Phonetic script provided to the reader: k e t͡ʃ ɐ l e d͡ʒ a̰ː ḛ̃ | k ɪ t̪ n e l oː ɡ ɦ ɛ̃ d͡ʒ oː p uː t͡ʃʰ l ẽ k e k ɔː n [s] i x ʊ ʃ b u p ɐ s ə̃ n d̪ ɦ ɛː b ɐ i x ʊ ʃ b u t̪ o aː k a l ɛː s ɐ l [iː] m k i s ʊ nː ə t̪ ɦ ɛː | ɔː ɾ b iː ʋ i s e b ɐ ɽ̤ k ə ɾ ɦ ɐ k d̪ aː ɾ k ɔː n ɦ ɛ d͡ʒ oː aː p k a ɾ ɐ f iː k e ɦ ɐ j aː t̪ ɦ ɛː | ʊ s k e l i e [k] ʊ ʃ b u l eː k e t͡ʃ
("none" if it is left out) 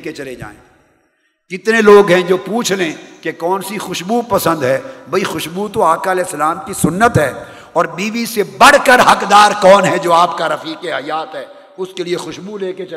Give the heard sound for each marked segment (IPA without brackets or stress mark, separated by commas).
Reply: s, aː, x